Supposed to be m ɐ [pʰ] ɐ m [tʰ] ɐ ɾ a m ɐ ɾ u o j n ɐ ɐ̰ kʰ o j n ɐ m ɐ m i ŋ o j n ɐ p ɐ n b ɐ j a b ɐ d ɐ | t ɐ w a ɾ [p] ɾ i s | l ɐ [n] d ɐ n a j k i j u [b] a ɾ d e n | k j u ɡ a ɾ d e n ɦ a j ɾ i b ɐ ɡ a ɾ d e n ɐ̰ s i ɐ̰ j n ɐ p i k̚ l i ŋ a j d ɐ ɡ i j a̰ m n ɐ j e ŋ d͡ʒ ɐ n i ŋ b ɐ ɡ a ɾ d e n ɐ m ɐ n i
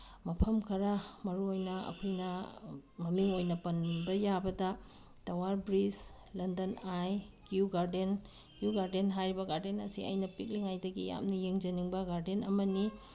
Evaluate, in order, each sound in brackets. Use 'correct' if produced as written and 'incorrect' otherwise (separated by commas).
correct, incorrect, incorrect, correct, incorrect